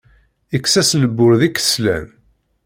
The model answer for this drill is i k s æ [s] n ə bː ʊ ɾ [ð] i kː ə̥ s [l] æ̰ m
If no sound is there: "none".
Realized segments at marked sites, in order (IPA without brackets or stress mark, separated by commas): s, ð, l